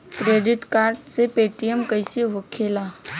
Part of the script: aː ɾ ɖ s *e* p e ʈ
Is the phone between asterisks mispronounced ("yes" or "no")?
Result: no